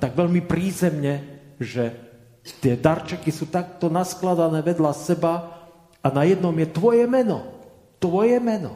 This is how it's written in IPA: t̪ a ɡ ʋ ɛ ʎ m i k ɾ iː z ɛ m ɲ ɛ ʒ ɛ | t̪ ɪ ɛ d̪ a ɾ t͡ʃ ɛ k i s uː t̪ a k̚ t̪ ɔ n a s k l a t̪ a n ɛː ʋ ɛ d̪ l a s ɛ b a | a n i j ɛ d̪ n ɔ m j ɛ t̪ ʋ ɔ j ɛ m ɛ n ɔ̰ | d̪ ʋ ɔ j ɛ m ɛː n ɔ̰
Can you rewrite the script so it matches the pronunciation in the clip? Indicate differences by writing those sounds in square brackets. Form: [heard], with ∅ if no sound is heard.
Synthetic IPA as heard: t̪ a ɡ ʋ ɛ ʎ m i [p] ɾ iː z ɛ m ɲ ɛ ʒ ɛ | t̪ ɪ ɛ d̪ a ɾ t͡ʃ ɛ k i s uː t̪ a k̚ t̪ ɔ n a s k l a [d̪] a n ɛː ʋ ɛ d̪ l a s ɛ b a | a n [a] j ɛ d̪ n ɔ m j ɛ t̪ ʋ ɔ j ɛ m ɛ n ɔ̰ | [t̪] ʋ ɔ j ɛ m [ɛ] n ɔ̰